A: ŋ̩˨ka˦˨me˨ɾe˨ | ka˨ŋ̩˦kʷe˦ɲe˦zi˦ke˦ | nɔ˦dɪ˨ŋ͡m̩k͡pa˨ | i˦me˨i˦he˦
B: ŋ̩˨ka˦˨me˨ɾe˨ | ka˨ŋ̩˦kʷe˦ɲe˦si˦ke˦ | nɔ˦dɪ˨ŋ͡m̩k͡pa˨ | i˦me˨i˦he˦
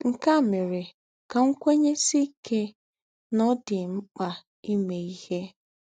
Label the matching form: B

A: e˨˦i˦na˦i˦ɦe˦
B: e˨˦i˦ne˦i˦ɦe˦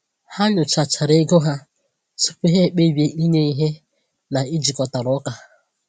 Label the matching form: B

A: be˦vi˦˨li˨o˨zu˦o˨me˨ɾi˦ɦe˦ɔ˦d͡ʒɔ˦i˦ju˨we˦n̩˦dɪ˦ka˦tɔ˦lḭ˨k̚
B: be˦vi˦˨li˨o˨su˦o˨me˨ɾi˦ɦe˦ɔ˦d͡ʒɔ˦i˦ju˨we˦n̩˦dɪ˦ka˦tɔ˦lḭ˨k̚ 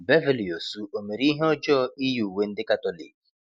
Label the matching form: B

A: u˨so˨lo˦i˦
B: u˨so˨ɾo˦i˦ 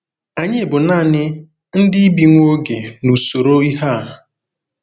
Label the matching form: B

